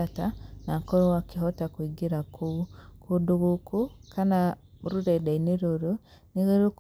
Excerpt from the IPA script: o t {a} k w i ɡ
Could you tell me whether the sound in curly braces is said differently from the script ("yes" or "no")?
no